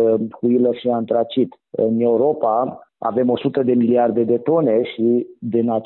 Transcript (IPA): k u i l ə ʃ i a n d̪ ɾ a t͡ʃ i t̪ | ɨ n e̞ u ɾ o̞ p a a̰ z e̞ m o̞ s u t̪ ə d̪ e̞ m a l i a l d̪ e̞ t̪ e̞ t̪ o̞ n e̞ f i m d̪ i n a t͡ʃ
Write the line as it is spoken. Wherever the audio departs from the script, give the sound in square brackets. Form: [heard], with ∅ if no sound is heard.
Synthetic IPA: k u i l ə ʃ i a n [t̪] ɾ a t͡ʃ i t̪ | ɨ n e̞ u ɾ o̞ p a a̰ [v] e̞ m o̞ s u t̪ ə d̪ e̞ m [i] l i a [r] d̪ e̞ [d̪] e̞ t̪ o̞ n e̞ [ʃ] i [∅] d̪ i n a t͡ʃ